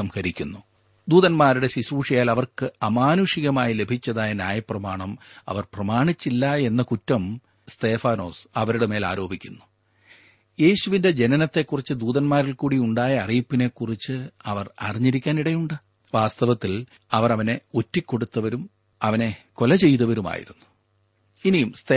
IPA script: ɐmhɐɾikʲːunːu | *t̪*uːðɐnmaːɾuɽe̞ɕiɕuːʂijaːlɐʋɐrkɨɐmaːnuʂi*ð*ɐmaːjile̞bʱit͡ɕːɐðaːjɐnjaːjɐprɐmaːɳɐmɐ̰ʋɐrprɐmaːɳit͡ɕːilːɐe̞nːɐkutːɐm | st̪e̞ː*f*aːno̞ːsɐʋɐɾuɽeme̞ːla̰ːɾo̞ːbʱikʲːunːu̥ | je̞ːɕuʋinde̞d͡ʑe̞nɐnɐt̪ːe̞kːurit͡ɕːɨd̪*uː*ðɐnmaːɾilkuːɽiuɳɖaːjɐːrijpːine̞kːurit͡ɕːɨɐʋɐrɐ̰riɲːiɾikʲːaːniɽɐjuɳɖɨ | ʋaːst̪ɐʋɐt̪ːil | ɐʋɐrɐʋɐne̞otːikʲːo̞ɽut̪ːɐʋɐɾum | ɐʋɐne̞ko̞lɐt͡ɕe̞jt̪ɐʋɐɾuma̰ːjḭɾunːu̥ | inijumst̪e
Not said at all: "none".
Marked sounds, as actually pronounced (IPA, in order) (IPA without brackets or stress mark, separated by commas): d̪, ɣ, f, uː